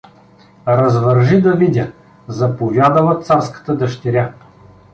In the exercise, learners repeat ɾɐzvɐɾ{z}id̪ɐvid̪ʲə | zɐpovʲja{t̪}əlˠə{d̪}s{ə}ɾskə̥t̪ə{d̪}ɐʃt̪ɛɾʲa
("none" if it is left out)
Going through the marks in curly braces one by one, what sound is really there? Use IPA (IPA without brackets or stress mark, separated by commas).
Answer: ʒ, d̪, t̪, a, d̪